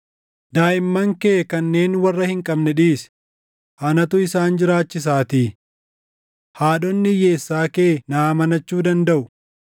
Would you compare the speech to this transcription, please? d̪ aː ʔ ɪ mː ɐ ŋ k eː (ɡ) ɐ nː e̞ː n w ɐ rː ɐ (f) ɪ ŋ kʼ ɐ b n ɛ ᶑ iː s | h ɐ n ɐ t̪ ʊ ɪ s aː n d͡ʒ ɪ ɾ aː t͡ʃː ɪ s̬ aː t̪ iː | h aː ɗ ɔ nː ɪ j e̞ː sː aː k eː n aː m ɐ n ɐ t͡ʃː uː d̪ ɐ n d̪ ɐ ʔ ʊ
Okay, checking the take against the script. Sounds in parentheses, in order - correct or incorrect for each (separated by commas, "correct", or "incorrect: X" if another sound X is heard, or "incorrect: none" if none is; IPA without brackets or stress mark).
incorrect: k, incorrect: h